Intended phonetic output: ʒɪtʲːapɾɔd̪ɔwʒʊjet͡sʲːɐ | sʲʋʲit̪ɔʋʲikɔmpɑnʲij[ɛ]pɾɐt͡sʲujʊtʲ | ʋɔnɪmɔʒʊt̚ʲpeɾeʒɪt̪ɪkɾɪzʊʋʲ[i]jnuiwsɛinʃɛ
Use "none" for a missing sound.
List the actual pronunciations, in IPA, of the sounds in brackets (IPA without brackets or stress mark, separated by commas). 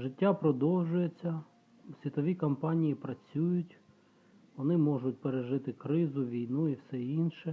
i, i